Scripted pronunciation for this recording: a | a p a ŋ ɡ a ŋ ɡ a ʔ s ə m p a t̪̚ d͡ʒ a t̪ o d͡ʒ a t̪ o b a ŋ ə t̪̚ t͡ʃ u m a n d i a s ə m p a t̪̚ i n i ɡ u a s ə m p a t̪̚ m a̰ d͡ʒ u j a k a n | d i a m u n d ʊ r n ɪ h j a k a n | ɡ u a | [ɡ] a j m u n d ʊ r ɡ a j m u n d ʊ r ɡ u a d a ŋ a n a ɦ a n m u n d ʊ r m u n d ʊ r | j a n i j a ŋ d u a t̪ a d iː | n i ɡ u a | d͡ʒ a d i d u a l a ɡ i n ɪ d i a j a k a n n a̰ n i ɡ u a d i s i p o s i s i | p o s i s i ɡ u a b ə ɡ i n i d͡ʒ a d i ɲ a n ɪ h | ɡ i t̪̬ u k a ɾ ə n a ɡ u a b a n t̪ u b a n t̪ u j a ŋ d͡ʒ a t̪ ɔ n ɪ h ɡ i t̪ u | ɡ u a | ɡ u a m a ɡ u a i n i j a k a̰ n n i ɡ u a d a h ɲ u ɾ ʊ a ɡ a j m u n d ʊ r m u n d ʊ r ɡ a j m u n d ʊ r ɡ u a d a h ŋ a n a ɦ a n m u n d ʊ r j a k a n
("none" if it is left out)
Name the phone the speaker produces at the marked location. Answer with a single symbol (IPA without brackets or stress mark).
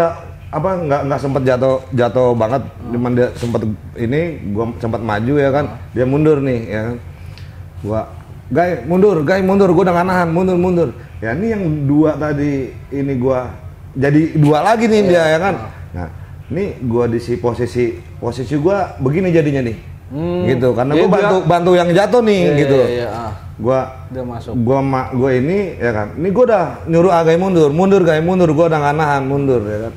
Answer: ɡ